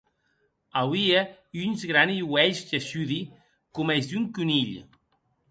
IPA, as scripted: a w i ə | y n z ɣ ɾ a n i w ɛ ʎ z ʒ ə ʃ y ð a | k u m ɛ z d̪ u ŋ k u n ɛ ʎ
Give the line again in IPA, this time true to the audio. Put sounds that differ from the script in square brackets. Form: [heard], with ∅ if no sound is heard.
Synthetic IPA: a w i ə | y n z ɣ ɾ a n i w ɛ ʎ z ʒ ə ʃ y ð [i] | k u m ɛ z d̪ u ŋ k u n [i] ʎ